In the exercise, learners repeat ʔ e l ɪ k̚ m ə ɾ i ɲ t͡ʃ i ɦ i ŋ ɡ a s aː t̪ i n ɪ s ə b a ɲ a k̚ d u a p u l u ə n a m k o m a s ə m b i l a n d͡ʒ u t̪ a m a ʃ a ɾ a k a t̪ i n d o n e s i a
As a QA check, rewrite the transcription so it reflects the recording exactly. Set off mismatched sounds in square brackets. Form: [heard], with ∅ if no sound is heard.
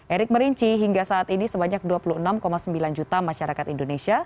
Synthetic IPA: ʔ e [ɾ] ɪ k̚ m ə ɾ i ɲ t͡ʃ i ɦ i ŋ ɡ a s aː t̪ i n [i] s ə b a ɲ a k̚ d u a p u l u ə n a m k o m a s ə m b i l a n d͡ʒ u t̪ a m a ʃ a ɾ a k a t̪ i n d o n e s i a